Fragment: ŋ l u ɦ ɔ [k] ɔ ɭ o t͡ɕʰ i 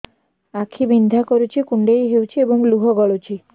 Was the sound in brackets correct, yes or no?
no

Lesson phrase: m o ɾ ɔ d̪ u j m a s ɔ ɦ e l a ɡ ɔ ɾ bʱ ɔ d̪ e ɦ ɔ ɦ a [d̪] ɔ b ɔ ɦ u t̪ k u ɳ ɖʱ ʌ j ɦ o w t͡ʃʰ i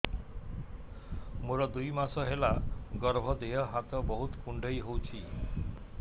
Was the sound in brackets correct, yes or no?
no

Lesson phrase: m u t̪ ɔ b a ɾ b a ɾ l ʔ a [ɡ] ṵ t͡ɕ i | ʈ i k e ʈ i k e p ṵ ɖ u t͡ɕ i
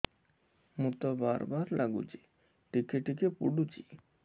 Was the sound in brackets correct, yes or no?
yes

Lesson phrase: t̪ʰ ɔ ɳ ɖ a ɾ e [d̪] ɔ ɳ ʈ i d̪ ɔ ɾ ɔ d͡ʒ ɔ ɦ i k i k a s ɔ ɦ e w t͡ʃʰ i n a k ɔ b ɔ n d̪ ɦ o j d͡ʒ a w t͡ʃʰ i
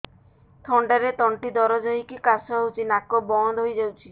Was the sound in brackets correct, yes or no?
no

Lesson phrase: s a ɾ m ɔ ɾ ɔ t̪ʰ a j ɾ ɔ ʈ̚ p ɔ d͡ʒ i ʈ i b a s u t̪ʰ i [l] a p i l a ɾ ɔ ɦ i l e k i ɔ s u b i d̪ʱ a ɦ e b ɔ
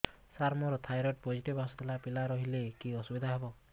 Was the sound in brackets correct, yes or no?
yes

